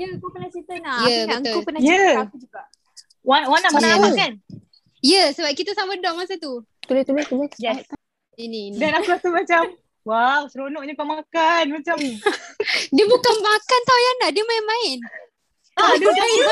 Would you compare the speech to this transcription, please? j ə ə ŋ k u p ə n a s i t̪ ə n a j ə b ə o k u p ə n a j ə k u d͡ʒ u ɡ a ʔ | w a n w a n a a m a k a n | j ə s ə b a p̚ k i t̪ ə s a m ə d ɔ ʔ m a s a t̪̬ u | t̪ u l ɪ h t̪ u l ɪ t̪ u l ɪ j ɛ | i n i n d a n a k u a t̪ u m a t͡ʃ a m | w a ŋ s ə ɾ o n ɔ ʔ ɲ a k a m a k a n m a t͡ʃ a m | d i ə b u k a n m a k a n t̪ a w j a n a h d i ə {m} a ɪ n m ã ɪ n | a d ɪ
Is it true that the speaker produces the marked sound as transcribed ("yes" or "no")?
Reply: yes